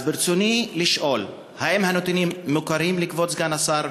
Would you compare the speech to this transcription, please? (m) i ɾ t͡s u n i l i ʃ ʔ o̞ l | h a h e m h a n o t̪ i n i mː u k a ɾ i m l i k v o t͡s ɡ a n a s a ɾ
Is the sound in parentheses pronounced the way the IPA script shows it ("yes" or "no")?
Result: no